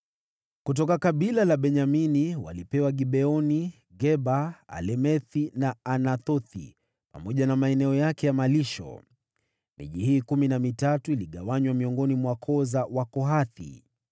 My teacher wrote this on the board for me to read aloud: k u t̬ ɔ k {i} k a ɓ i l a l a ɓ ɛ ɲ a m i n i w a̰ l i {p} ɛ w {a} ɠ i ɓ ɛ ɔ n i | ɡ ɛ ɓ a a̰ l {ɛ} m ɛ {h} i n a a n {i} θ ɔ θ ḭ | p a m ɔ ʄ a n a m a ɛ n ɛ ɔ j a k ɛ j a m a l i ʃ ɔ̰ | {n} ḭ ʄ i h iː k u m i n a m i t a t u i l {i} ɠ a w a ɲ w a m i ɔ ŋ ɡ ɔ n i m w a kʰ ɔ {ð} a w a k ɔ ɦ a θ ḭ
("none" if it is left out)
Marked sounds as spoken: a, p, a, ɛ, θ, a, m, i, z

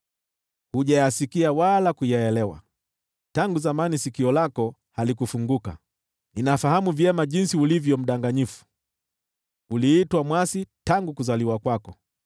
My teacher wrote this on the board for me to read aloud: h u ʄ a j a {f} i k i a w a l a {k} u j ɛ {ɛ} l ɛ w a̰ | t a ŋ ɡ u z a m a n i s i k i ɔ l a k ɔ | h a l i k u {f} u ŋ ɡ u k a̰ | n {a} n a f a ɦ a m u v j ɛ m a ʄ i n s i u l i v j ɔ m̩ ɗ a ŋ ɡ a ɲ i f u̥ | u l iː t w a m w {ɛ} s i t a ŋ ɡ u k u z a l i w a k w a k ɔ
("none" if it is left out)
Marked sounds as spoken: s, k, ɛ, f, i, a

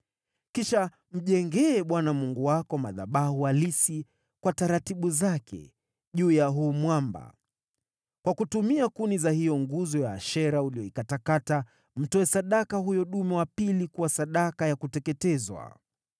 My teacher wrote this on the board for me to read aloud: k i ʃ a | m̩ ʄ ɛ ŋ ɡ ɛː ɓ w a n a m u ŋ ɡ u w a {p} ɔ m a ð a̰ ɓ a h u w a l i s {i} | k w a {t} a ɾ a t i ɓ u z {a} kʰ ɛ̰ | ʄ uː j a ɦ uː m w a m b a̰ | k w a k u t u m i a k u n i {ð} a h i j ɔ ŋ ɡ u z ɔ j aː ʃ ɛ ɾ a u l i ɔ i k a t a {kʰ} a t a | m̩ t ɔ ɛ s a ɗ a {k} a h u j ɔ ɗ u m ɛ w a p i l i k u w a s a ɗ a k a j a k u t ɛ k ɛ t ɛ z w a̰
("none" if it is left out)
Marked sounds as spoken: k, i, t, a, z, k, k

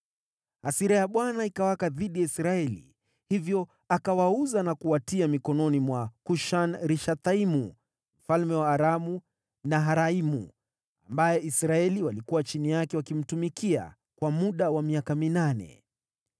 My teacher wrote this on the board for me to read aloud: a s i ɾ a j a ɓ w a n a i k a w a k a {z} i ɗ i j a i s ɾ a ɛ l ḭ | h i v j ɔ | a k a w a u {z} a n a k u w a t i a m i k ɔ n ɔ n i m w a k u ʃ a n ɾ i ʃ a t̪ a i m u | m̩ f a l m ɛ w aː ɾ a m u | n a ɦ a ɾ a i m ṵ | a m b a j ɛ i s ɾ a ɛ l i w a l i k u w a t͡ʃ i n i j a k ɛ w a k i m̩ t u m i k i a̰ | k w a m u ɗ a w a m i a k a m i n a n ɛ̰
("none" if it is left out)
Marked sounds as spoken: ð, z

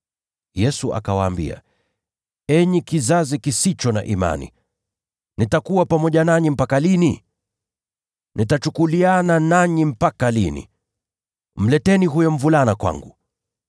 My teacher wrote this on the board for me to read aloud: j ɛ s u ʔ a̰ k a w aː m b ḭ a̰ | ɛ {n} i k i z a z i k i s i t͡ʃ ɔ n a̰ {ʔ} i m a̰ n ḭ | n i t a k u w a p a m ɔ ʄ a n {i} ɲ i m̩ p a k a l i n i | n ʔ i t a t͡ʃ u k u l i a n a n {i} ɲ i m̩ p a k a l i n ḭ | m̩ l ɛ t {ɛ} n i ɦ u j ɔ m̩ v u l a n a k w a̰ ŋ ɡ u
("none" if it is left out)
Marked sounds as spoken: ɲ, ʔ, a, a, ɛ

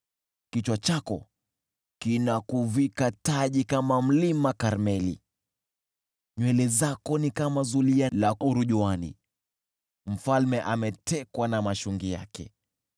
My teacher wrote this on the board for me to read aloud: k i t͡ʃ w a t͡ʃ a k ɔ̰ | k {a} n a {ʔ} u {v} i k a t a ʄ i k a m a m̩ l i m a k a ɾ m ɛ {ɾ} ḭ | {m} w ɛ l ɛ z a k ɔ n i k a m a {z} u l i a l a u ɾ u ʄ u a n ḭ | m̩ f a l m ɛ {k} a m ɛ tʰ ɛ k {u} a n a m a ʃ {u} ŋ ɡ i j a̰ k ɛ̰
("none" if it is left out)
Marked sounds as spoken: i, k, v, l, ɲ, z, ʔ, w, u

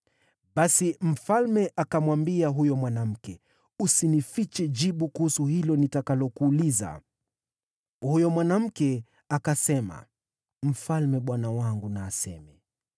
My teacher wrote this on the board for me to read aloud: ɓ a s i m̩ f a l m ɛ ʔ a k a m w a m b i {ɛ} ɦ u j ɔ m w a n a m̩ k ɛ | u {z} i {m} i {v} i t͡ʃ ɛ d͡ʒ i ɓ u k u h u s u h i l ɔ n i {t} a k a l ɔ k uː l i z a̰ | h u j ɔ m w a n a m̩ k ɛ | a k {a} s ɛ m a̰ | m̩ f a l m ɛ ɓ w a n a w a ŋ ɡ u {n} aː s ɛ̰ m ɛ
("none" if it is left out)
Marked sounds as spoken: a, s, n, f, t, a, n

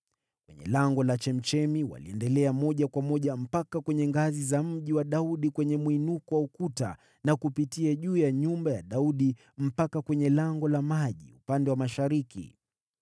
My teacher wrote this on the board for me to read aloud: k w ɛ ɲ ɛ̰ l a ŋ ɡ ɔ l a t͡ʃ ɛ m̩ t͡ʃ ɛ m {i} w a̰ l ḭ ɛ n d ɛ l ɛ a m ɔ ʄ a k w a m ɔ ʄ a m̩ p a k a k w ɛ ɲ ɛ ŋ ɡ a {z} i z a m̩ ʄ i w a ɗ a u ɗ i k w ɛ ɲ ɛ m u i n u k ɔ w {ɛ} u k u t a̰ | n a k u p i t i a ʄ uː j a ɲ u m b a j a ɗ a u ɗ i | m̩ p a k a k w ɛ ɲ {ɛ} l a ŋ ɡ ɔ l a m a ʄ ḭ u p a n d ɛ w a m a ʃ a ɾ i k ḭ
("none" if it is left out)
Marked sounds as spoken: i, z, a, ɛ

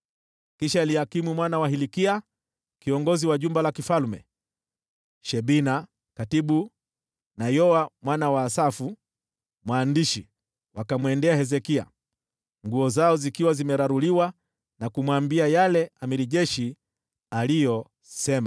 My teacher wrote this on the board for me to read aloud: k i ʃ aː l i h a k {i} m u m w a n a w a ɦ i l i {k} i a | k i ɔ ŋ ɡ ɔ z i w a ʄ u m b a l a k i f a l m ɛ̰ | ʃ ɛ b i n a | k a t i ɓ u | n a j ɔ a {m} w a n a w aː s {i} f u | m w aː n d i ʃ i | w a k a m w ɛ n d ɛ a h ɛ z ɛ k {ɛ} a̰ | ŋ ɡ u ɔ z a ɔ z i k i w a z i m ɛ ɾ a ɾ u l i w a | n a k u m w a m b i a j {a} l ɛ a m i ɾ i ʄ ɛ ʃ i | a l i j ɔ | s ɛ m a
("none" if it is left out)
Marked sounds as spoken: i, k, m, a, i, a

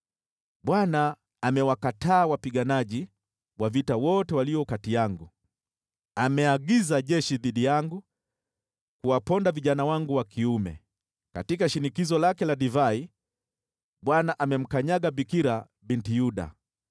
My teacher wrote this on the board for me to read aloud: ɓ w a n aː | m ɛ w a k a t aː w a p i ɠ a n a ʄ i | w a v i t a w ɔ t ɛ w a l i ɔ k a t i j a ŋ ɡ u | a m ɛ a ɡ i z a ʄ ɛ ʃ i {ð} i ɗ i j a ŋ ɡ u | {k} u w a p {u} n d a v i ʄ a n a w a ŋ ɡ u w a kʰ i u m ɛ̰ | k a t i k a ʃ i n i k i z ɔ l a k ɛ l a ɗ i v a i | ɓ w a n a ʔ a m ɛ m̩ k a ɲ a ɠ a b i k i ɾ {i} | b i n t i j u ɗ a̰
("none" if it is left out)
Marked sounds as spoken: ð, k, ɔ, a

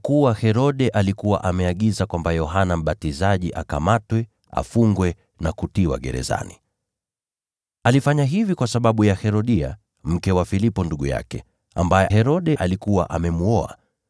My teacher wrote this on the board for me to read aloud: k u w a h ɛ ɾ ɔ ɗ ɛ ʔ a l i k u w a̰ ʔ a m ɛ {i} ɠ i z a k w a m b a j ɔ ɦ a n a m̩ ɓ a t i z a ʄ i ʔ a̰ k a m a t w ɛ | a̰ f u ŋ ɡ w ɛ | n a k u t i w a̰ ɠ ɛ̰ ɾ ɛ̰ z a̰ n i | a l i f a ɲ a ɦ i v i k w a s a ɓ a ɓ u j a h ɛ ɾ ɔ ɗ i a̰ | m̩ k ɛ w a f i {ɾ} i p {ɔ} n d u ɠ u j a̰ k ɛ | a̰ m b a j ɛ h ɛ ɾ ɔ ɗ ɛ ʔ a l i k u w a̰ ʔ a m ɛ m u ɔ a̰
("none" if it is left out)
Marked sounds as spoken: a, l, ɔ

